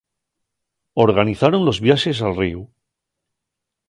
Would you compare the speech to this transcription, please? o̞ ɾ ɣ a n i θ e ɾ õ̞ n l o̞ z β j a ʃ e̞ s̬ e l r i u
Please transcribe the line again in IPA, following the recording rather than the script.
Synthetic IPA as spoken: o̞ ɾ ɣ a n i θ a ɾ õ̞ n l o̞ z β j a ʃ e̞ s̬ a l r i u